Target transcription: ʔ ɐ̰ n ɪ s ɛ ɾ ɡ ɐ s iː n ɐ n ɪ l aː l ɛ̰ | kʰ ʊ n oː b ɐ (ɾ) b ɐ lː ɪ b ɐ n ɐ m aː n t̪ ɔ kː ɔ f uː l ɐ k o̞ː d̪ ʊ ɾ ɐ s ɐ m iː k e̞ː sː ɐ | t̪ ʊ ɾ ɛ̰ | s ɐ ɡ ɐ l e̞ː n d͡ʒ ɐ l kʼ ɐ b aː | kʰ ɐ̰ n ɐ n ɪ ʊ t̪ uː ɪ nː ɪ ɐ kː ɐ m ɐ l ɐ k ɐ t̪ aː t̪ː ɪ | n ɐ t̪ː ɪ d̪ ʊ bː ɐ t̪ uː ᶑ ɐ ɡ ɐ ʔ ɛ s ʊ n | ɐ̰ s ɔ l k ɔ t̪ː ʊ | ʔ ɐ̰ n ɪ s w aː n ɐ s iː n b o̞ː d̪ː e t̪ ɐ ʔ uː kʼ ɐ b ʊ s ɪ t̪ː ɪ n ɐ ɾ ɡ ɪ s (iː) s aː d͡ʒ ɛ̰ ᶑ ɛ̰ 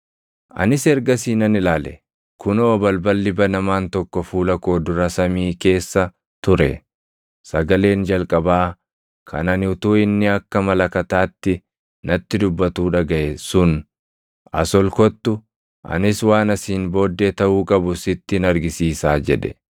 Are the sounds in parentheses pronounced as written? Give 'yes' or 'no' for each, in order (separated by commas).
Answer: no, yes